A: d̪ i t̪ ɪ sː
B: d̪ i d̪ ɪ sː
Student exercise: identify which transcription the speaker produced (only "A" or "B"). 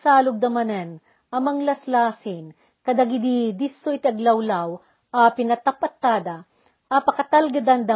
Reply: B